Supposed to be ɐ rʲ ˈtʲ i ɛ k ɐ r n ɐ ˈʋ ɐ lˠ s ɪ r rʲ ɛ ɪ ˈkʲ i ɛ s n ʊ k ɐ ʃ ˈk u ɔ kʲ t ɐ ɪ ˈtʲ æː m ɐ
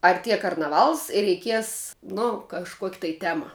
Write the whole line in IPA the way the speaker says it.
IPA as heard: ɐ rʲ ˈtʲ i ɛ k ɐ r n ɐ ˈʋ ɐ lˠ s ɪ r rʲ ɛ ɪ ˈkʲ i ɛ s n ʊ k ɐ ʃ ˈk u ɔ kʲ t ɐ ɪ ˈtʲ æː m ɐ